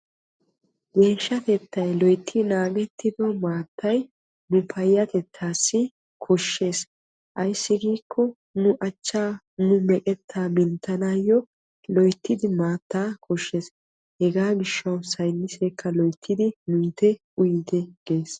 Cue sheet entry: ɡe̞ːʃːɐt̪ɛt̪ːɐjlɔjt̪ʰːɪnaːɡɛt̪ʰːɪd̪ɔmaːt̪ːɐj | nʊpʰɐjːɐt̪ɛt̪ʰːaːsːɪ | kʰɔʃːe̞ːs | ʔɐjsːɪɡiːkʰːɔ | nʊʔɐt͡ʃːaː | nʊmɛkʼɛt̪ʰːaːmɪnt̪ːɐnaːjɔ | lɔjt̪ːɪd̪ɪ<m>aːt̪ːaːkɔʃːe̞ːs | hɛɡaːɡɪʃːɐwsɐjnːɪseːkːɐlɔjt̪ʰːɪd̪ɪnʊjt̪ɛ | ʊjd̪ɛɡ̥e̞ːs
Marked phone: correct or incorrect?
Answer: correct